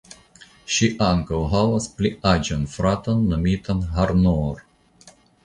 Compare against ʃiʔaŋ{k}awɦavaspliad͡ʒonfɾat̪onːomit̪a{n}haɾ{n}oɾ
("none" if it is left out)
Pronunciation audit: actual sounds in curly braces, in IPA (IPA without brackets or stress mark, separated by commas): k, n, n